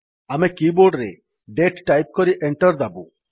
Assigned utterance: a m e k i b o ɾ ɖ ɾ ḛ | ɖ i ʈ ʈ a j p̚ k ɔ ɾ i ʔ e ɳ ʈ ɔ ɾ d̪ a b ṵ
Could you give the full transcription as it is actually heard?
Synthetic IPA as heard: a m e k i b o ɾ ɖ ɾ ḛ | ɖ e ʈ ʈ a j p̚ k ɔ ɾ i ʔ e ɳ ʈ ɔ ɾ d̪ a b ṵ